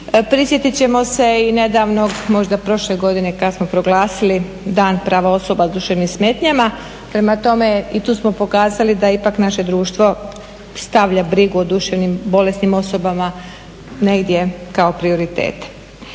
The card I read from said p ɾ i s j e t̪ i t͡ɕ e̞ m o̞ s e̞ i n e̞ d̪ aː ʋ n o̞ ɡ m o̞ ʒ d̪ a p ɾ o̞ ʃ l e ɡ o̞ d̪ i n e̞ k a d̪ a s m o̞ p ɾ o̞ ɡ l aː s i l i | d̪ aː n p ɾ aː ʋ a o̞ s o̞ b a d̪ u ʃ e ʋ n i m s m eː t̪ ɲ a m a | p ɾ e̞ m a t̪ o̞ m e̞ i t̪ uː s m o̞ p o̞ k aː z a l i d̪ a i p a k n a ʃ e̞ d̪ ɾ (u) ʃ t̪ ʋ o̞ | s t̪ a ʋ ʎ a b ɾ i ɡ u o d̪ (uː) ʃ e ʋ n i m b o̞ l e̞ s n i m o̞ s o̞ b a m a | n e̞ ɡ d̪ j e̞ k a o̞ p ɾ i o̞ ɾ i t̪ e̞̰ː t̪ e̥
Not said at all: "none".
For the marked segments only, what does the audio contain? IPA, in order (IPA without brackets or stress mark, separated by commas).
uː, u